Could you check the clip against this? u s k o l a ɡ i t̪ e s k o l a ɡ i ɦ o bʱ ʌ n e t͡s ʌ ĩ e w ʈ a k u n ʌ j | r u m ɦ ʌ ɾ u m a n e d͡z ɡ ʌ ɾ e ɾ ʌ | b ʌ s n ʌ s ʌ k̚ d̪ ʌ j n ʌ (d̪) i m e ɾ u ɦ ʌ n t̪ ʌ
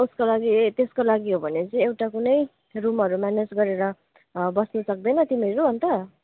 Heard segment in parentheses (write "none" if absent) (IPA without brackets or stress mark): t̪